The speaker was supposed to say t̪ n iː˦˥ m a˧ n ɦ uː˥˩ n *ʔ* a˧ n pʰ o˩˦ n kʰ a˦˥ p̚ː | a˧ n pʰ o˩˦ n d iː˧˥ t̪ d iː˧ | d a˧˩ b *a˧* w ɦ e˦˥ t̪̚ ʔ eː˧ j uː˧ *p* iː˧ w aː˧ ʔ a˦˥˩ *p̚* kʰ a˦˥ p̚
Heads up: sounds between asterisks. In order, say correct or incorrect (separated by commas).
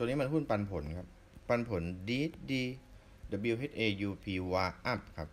incorrect, incorrect, incorrect, correct